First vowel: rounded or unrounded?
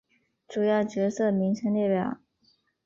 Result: rounded